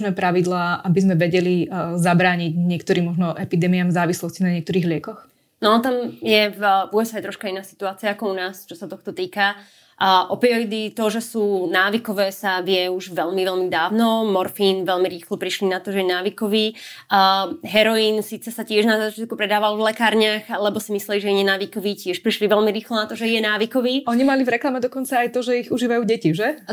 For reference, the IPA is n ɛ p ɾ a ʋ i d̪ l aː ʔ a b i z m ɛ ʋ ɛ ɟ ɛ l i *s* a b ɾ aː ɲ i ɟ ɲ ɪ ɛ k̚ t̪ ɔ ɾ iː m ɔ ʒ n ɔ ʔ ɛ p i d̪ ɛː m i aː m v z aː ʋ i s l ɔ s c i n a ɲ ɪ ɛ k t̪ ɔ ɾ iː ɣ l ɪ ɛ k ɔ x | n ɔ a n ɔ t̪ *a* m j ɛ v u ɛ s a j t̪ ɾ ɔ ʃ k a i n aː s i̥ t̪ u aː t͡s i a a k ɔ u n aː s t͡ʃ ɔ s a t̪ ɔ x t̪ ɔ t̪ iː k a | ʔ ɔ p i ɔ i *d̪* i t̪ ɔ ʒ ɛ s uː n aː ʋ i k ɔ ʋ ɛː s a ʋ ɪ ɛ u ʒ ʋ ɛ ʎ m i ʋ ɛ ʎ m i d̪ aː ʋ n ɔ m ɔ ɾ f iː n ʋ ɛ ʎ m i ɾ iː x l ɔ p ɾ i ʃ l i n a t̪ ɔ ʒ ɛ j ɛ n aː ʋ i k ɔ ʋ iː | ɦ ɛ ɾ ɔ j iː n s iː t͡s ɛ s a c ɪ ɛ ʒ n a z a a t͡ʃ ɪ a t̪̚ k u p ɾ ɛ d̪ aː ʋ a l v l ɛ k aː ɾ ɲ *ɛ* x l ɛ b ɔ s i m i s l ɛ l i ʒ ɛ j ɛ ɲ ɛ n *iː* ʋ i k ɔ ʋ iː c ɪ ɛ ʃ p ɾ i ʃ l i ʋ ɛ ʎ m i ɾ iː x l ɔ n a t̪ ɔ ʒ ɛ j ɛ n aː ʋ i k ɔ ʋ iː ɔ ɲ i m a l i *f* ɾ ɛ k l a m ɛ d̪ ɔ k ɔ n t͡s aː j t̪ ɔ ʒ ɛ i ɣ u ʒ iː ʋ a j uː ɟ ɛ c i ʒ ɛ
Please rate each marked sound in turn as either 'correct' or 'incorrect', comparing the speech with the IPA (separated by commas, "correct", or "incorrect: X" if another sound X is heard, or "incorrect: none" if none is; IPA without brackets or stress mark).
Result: incorrect: z, correct, correct, incorrect: a, incorrect: aː, incorrect: v